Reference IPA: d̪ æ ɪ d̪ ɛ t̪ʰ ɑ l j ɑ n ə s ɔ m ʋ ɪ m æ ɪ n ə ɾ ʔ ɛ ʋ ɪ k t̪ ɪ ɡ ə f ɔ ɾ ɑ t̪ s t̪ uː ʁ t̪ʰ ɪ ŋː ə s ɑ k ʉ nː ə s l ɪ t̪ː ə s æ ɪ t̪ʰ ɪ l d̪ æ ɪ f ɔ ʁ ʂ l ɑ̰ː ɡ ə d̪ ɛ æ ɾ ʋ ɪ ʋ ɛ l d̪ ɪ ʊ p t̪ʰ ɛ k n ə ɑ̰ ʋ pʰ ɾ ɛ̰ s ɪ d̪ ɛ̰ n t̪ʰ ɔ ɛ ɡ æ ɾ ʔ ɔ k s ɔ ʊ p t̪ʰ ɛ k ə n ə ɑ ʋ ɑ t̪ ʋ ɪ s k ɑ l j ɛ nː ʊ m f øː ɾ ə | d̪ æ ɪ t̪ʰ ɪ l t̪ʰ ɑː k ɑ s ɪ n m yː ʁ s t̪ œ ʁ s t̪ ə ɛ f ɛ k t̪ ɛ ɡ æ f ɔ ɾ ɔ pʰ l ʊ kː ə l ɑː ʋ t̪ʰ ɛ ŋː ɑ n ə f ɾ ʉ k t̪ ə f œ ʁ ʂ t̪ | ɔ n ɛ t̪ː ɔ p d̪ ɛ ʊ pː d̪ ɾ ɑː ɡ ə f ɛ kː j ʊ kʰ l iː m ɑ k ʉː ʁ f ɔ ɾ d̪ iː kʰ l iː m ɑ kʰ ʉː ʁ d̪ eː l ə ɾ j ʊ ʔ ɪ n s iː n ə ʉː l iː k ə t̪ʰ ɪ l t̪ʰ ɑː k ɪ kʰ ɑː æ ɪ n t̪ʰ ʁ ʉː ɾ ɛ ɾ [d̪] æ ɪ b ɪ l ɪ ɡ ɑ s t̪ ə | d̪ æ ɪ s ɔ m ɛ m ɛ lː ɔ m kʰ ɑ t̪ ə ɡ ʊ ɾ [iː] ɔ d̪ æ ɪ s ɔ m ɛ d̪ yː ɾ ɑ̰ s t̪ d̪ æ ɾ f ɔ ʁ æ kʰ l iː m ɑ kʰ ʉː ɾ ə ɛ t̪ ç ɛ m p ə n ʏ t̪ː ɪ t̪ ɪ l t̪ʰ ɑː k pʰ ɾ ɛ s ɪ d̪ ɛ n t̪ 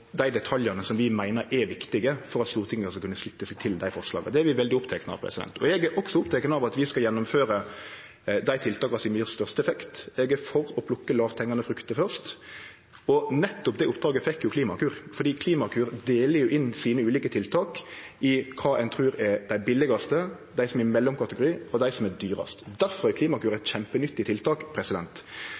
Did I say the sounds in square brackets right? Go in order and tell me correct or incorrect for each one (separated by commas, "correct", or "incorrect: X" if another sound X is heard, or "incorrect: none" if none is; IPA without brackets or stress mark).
correct, correct